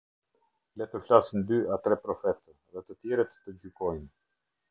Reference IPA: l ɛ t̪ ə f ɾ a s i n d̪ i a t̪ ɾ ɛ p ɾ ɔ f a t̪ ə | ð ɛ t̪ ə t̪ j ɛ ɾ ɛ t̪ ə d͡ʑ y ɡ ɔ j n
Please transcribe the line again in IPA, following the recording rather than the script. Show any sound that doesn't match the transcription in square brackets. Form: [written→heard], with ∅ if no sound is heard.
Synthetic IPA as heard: l ɛ t̪ ə f [ɾ→l] a s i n d̪ [i→y] a t̪ ɾ ɛ p ɾ ɔ f [a→ɛ] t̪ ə | ð ɛ t̪ ə t̪ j ɛ ɾ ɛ t̪ ə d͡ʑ y [ɡ→k] ɔ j n